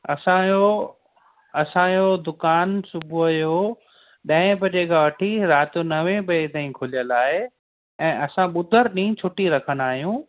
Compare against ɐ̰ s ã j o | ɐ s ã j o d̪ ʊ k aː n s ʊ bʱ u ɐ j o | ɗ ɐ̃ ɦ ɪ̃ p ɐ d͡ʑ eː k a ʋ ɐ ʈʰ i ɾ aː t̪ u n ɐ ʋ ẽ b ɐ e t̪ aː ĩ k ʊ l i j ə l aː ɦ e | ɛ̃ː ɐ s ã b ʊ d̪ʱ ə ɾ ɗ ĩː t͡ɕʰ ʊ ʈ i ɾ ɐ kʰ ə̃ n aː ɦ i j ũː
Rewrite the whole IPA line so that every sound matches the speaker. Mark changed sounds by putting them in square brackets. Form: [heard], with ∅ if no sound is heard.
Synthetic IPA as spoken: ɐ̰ s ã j o | ɐ s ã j o d̪ ʊ k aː n s ʊ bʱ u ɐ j o | ɗ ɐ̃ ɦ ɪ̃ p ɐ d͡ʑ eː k a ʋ ɐ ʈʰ i ɾ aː t̪ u n ɐ ʋ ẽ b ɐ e t̪ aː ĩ [kʰ] ʊ l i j ə l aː ɦ e | ɛ̃ː ɐ s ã [ɓ] ʊ d̪ʱ ə ɾ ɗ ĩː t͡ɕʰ ʊ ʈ i ɾ ɐ kʰ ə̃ n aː ɦ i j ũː